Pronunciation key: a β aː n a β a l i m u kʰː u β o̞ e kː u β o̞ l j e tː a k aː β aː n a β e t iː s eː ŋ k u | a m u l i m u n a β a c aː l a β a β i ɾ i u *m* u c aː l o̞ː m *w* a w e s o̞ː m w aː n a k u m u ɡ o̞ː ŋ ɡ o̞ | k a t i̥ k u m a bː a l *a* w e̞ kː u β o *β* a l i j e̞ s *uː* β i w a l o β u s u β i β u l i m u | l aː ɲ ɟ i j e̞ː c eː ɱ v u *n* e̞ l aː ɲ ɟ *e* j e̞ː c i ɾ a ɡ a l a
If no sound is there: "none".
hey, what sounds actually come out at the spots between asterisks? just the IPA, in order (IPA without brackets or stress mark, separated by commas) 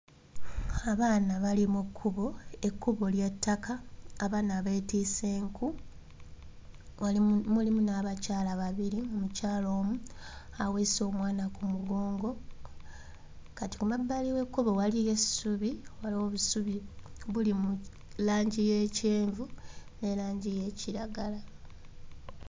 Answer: m, u, i, w, u, n, i